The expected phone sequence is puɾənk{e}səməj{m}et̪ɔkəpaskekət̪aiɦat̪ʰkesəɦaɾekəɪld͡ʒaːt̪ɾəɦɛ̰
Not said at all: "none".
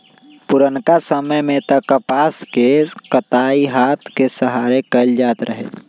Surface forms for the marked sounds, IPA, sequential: a, m

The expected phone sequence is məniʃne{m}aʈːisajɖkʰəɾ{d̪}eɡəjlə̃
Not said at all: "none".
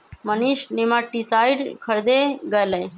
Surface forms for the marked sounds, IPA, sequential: m, d̪

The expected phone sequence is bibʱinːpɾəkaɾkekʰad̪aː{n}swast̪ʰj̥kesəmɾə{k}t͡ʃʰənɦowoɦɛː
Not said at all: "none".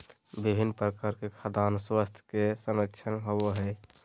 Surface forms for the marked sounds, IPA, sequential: n, k

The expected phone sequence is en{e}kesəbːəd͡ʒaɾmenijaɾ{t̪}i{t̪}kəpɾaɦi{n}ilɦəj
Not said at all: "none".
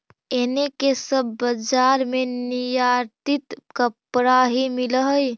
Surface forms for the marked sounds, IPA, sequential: e, t̪, t̪, m

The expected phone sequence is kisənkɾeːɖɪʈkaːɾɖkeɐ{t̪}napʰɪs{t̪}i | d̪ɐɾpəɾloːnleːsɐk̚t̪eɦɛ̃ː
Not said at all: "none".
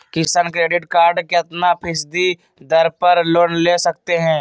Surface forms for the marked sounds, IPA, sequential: t̪, d̪

